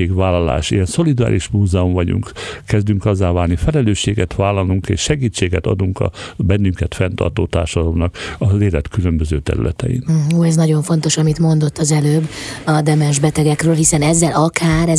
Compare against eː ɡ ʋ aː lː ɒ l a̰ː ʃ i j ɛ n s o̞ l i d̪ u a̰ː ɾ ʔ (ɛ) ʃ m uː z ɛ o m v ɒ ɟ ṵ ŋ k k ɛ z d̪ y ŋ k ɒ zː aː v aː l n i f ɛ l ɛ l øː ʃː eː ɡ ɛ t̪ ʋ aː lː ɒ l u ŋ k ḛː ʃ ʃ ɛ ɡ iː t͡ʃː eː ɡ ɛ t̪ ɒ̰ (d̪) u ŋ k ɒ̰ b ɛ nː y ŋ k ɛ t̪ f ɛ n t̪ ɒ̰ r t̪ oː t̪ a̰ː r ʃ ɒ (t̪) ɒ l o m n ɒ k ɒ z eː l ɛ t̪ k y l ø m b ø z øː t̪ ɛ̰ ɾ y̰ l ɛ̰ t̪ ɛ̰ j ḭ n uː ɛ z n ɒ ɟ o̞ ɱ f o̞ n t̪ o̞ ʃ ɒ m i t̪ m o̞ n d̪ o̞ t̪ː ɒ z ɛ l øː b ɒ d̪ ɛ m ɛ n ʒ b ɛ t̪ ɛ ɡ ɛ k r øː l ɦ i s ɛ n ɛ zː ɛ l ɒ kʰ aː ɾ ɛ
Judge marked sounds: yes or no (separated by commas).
no, yes, no